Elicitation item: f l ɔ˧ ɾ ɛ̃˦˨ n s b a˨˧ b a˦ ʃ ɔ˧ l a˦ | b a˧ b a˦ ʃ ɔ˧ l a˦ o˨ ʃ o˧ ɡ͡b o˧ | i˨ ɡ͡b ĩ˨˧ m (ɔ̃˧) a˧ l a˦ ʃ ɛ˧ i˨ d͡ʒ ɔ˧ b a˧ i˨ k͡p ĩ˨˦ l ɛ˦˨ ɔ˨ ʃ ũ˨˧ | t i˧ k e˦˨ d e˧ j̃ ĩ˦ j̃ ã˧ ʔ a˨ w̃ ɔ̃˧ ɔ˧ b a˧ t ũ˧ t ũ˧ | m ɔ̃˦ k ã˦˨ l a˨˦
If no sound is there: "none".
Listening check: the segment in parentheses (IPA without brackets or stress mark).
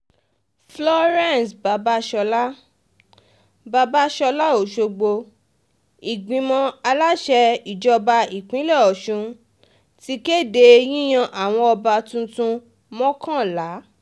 ɔ̃˧